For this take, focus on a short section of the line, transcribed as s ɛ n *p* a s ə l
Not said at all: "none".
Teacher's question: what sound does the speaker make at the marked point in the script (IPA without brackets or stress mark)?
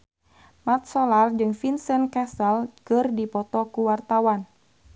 k